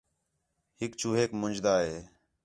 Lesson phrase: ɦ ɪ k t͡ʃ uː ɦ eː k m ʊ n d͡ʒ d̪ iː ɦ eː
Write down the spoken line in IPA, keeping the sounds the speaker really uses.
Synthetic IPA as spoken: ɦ ɪ k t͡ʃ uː ɦ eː k m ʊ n d͡ʒ d̪ aː ɦ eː